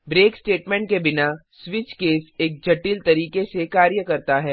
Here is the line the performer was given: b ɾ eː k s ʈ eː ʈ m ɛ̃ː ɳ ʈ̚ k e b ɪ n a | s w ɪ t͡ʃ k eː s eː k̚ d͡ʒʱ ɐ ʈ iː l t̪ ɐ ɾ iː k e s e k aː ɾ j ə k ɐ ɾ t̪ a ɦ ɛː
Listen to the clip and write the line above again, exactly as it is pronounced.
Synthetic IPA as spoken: b ɾ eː k s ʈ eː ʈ m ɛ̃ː ɳ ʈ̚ k e b ɪ n a | s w ɪ t͡ʃ k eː s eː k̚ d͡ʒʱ ɐ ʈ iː l t̪ ɐ ɾ iː k e s e k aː ɾ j ə k ɐ ɾ t̪ a ɦ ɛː